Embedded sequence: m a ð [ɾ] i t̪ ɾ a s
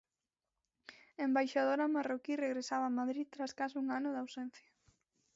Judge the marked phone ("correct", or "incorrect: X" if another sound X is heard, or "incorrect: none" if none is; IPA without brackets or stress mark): correct